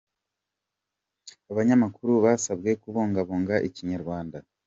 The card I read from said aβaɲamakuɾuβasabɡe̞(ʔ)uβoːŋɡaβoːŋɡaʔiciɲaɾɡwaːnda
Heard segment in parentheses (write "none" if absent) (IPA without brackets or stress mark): k